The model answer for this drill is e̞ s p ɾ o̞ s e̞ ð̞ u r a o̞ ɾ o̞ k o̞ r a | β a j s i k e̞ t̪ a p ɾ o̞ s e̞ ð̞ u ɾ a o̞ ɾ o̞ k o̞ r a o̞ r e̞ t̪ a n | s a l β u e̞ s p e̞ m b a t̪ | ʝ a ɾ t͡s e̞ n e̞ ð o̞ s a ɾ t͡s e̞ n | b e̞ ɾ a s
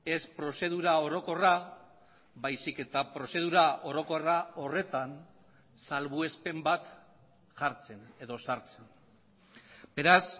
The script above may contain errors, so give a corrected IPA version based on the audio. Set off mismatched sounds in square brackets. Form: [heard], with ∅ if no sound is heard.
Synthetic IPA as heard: e̞ s p ɾ o̞ s e̞ ð̞ u [ɾ] a o̞ ɾ o̞ k o̞ r a | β a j s i k e̞ t̪ a p ɾ o̞ s e̞ ð̞ u ɾ a o̞ ɾ o̞ k o̞ r a o̞ r e̞ t̪ a n | s a l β u e̞ s p e̞ m b a t̪ | ʝ a ɾ t͡s e̞ n e̞ ð o̞ s a ɾ t͡s e̞ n | b e̞ ɾ a s